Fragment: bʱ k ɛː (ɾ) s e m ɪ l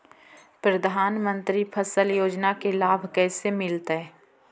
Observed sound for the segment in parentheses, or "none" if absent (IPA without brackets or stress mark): none